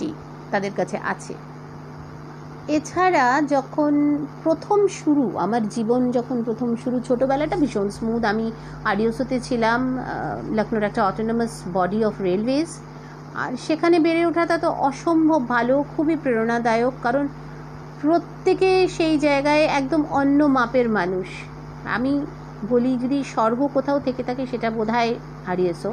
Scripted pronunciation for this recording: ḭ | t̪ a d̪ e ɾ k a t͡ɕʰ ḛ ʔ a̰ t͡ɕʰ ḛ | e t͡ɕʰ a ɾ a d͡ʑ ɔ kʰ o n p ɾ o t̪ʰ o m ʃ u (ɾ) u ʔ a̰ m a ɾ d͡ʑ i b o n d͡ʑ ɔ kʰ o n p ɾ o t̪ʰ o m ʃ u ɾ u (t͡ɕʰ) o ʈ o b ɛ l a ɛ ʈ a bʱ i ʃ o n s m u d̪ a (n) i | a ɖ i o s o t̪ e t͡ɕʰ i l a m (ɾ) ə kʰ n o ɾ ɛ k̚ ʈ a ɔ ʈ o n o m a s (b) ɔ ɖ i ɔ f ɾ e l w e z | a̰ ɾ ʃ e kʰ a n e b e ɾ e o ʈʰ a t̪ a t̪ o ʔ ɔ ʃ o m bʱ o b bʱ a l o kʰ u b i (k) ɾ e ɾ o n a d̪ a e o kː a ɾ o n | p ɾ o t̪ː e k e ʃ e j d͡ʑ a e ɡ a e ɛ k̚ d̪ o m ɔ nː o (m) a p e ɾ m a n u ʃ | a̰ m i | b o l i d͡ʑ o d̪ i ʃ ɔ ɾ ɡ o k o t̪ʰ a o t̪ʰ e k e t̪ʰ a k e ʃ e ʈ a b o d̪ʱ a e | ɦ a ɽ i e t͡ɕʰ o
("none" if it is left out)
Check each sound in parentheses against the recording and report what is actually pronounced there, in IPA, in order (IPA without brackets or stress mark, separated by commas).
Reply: ɾ, t͡ɕʰ, m, l, b, p, m